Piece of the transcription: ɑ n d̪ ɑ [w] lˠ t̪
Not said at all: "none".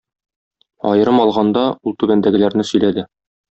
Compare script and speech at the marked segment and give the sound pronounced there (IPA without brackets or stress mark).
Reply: u